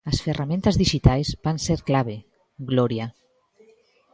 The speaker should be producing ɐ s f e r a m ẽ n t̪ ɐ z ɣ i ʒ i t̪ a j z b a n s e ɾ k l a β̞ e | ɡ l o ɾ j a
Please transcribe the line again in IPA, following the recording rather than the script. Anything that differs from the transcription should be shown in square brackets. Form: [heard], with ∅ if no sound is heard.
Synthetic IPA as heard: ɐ s f e r a m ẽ n t̪ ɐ z [ð] i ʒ i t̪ a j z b a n s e ɾ k l a β̞ e | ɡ l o ɾ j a